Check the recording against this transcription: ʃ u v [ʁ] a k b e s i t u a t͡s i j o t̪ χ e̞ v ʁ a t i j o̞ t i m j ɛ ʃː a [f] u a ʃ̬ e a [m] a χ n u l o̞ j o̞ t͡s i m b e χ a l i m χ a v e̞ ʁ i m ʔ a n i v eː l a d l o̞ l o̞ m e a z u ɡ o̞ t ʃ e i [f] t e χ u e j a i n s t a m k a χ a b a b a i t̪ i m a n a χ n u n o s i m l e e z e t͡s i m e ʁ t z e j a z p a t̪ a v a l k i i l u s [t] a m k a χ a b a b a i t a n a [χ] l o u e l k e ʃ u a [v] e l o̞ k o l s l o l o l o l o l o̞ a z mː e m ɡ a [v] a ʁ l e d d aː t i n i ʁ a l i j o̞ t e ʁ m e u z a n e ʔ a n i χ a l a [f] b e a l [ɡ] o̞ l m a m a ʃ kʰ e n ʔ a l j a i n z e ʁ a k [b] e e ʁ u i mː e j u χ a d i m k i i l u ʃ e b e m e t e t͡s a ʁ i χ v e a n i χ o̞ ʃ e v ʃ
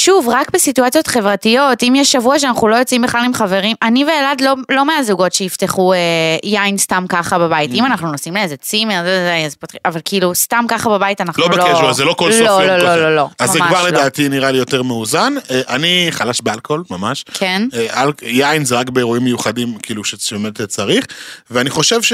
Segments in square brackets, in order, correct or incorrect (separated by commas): correct, incorrect, incorrect, correct, correct, correct, incorrect, correct, incorrect, incorrect, correct